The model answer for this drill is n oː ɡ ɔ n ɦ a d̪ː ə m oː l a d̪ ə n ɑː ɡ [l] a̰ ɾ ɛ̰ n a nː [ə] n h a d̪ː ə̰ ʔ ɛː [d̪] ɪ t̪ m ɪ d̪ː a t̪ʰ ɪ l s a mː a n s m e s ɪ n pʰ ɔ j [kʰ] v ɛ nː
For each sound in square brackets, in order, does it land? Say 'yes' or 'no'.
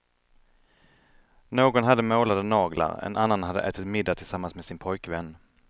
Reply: yes, no, no, no

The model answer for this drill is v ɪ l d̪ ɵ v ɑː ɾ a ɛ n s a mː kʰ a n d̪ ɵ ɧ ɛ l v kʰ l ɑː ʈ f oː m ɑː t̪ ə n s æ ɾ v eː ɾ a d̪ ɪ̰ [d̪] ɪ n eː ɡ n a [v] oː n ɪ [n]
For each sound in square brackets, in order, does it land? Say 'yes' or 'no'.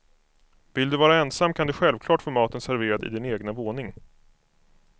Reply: yes, yes, no

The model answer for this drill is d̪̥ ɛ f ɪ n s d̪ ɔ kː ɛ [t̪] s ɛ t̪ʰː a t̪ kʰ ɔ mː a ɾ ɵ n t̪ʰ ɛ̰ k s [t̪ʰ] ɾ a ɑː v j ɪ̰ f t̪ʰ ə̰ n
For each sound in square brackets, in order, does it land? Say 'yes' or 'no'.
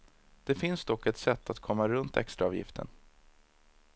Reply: yes, no

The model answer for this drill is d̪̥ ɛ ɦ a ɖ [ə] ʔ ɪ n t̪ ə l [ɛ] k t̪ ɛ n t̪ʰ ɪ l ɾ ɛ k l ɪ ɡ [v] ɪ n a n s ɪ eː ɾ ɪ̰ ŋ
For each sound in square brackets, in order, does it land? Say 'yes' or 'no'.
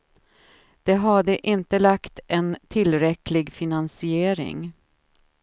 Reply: yes, no, no

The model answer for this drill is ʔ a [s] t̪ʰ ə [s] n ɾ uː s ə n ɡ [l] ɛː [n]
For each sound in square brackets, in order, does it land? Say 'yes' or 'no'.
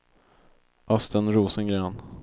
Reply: yes, no, no, yes

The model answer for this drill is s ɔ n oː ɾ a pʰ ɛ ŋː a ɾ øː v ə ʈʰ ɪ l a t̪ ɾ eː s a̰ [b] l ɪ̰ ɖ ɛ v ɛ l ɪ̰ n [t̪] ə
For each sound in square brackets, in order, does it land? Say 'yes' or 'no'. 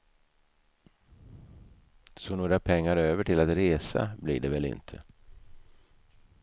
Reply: yes, no

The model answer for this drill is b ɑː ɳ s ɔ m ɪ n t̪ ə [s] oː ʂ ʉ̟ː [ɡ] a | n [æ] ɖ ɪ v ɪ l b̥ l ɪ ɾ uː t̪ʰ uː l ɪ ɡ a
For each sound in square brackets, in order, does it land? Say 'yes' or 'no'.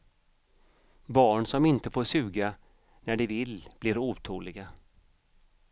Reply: no, yes, yes

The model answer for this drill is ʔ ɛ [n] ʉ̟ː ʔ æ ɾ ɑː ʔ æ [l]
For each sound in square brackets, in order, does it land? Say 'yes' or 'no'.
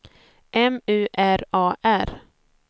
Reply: no, no

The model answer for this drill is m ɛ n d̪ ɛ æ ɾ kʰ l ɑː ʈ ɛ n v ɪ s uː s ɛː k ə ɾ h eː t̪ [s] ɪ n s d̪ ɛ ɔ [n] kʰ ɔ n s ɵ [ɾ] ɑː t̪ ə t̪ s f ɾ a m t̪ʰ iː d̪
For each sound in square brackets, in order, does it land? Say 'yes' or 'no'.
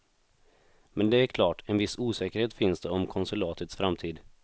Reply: no, no, no

